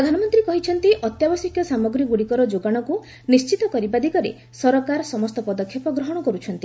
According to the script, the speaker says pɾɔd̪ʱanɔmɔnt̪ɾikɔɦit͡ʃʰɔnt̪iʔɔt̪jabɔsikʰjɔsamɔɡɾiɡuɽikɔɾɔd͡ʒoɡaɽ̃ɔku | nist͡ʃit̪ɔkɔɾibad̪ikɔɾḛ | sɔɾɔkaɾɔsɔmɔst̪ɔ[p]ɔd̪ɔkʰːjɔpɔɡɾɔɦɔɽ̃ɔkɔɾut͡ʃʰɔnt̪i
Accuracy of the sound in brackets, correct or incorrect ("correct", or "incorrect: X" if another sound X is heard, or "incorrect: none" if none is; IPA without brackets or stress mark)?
correct